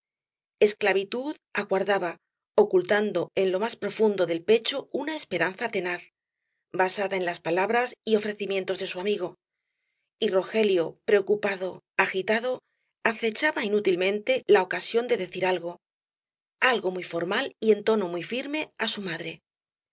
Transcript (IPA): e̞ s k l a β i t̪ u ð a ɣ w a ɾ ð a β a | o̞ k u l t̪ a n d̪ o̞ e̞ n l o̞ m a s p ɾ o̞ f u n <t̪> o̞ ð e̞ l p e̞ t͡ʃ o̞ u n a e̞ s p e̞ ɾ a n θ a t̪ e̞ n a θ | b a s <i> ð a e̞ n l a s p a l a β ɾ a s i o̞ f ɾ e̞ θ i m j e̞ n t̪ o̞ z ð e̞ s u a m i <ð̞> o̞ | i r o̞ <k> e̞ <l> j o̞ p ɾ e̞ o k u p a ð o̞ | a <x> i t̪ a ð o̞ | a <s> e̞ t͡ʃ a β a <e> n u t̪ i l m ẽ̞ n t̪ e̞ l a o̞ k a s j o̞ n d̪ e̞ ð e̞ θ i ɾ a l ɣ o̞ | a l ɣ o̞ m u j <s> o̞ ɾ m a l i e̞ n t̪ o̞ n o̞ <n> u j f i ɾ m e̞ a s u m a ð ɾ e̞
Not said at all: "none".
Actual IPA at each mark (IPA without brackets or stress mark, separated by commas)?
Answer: d̪, a, ɣ̞, x, l, x, θ, i, f, m